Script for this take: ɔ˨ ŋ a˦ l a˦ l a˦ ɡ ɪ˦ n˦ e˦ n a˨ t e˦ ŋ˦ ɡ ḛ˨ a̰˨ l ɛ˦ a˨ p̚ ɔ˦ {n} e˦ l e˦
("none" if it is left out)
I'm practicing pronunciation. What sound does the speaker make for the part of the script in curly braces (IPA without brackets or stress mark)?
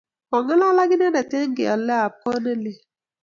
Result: n